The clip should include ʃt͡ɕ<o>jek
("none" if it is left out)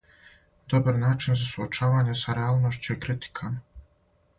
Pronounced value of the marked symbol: u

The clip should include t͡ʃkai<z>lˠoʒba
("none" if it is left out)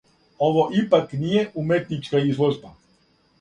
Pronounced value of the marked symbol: z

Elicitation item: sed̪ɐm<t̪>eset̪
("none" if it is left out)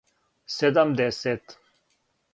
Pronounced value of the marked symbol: d̪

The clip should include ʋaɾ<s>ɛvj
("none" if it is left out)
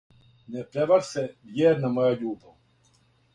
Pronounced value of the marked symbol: s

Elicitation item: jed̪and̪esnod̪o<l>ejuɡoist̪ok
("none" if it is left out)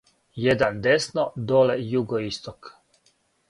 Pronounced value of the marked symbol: l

